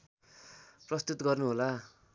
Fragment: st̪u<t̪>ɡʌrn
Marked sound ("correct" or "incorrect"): correct